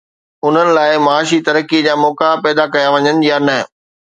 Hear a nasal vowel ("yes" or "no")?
no